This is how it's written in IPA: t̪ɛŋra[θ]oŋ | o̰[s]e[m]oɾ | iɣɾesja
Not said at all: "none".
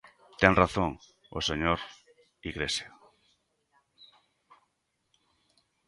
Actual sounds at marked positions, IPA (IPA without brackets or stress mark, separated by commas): θ, s, ɲ